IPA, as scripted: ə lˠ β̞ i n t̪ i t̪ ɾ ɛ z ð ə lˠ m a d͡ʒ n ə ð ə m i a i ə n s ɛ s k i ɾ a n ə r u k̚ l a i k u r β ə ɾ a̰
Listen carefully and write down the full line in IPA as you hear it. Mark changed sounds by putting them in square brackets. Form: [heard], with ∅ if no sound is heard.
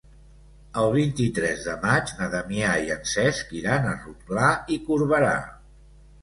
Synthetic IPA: ə lˠ β̞ i n t̪ i t̪ ɾ ɛ z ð ə [∅] m a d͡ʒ n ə ð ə m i a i ə n s ɛ s k i ɾ a n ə r u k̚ l a i k u [ɾ] β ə ɾ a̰